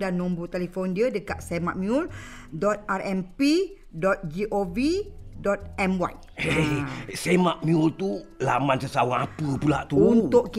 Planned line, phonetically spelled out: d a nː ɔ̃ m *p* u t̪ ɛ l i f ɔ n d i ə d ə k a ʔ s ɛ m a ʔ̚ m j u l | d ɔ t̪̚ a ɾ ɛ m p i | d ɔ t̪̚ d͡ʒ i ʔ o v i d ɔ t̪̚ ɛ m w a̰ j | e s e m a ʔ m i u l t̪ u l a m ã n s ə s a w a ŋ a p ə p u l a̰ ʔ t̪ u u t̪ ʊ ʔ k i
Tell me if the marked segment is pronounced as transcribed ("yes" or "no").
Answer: no